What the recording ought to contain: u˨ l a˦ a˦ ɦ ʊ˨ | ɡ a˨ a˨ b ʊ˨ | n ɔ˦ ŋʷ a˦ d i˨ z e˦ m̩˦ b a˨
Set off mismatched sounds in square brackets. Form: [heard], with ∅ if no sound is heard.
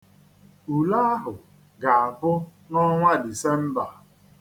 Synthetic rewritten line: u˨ l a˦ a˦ ɦ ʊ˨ | ɡ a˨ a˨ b [ʊ˦] | n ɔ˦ ŋʷ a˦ d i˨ [s] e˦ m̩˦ b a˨